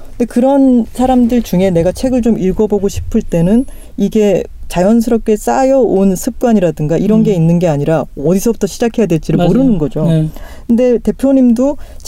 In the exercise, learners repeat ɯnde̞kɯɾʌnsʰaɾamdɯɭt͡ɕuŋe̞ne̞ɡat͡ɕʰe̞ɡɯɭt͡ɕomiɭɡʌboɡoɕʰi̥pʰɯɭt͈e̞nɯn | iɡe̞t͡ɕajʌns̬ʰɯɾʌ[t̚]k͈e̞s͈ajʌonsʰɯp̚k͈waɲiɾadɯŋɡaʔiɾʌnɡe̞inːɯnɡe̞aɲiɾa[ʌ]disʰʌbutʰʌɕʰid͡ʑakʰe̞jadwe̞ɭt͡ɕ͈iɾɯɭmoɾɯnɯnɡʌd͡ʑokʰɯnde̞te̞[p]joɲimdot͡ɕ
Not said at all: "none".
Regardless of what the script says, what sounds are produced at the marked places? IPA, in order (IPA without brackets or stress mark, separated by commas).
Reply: p̚, ʌ, pʰ